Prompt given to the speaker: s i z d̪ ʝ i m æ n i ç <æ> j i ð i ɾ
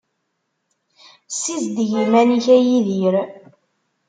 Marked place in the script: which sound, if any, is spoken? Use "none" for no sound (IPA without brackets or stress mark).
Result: æ